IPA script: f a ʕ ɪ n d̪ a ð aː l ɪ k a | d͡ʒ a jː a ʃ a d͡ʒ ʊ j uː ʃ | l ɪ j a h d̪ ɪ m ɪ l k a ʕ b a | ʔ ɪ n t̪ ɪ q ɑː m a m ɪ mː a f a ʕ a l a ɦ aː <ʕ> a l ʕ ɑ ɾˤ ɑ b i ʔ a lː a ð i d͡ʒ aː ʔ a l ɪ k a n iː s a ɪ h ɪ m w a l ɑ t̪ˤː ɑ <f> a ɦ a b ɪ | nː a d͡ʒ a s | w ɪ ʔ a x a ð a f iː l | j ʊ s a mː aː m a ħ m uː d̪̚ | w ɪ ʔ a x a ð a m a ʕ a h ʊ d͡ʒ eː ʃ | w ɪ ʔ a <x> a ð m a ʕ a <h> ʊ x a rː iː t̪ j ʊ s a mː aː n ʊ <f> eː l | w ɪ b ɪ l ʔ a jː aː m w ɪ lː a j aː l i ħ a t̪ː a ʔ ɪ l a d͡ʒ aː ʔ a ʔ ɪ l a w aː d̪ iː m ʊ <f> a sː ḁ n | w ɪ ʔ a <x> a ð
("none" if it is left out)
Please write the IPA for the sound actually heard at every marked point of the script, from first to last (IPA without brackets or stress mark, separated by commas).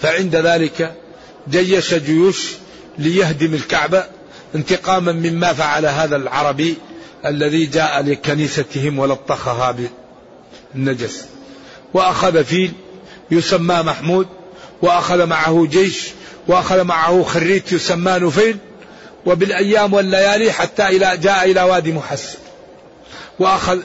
ð, x, x, h, f, ħ, x